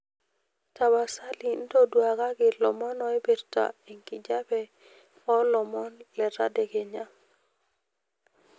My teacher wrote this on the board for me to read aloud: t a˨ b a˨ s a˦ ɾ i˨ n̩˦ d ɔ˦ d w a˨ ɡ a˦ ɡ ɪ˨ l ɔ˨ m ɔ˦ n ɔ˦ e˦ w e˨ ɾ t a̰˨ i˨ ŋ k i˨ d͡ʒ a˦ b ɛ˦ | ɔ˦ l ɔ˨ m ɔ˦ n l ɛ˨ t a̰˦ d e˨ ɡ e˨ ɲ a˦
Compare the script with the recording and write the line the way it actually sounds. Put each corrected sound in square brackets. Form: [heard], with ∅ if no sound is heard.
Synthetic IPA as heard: t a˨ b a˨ s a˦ [l] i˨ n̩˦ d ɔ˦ d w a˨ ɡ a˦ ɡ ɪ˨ l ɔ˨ m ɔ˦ n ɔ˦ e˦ [b] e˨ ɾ t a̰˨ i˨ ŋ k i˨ d͡ʒ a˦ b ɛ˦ | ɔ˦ l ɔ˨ m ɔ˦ n l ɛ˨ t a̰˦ d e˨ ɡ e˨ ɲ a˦